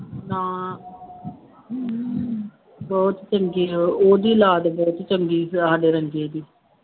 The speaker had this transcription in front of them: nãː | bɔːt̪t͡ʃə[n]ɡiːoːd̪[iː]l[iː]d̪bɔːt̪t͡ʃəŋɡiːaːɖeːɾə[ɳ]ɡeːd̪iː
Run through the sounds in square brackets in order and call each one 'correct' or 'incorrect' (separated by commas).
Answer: incorrect, correct, incorrect, incorrect